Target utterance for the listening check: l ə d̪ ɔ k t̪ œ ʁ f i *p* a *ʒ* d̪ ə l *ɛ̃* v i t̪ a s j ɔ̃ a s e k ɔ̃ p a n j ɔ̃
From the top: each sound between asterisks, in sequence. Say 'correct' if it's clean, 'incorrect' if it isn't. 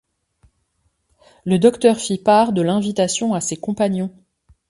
correct, incorrect: ʁ, correct

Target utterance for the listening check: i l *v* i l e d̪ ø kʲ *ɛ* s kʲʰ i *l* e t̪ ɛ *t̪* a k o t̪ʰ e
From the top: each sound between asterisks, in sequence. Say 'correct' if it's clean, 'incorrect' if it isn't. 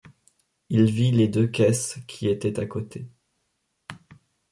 correct, correct, incorrect: none, correct

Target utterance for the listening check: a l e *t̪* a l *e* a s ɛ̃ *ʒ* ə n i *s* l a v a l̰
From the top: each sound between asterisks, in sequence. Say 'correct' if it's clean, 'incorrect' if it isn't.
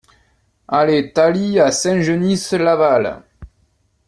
correct, incorrect: i, correct, correct

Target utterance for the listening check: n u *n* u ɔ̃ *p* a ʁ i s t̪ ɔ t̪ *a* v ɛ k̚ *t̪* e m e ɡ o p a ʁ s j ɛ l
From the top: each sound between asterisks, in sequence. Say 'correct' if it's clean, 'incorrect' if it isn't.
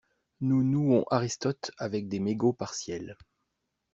correct, incorrect: ʔ, correct, incorrect: d̪

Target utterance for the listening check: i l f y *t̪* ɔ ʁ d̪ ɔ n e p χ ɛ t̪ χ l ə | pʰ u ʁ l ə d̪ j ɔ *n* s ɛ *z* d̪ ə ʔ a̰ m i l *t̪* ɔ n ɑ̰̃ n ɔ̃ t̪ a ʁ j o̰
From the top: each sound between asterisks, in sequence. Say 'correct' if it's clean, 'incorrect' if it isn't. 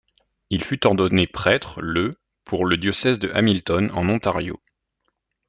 correct, incorrect: none, correct, correct

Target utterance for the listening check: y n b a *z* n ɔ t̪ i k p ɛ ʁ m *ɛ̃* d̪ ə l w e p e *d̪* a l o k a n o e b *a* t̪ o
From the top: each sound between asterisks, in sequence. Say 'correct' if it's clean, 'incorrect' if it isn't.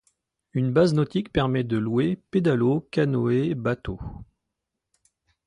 correct, incorrect: ɛ, correct, correct

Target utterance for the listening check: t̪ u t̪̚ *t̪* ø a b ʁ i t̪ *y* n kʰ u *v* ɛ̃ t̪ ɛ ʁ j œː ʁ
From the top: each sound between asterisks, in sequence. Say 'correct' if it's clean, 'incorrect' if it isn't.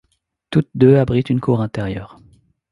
incorrect: d̪, correct, incorrect: ʁ

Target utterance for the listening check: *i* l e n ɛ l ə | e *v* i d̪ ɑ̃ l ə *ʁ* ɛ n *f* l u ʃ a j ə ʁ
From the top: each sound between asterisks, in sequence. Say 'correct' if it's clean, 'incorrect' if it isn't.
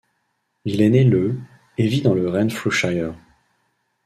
correct, correct, correct, correct

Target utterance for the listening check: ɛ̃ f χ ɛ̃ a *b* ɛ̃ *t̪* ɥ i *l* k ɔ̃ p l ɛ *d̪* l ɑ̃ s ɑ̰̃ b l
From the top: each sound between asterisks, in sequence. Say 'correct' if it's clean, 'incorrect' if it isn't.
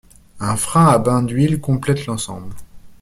correct, incorrect: d̪, correct, incorrect: t̪

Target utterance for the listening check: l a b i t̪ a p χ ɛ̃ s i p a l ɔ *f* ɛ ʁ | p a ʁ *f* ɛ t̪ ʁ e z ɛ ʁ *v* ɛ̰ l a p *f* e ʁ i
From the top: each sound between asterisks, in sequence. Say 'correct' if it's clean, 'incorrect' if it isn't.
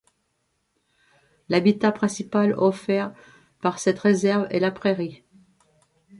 correct, incorrect: s, correct, incorrect: χ

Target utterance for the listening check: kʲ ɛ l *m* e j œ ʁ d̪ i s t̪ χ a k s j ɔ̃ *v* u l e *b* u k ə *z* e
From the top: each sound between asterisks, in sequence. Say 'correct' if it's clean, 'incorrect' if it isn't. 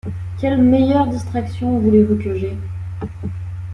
correct, correct, incorrect: v, incorrect: ʒ

